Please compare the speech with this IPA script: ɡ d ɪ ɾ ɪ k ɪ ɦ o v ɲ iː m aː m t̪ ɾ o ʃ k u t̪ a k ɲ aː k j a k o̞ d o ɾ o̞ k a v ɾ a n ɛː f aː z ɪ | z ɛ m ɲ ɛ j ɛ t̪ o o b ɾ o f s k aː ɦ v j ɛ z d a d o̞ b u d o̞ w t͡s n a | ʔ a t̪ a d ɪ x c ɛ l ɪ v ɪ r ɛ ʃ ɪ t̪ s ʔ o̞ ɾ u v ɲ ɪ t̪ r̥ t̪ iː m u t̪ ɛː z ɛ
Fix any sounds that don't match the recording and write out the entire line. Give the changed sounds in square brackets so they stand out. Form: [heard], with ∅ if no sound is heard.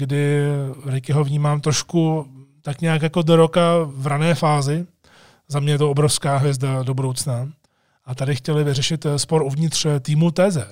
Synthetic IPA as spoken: ɡ d ɪ ɾ ɪ k ɪ ɦ o v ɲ iː m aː m t̪ ɾ o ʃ k u t̪ a k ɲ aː k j a k o̞ d o ɾ o̞ k a v ɾ a n ɛː f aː z ɪ | z [a] m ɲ ɛ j ɛ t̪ o o b ɾ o f s k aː ɦ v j ɛ z d a d o̞ b u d o̞ w t͡s n a | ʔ a t̪ a d ɪ x c ɛ l ɪ v ɪ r ɛ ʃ ɪ t̪ s [p] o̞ ɾ u v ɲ ɪ t̪ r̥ t̪ iː m u t̪ ɛː z ɛ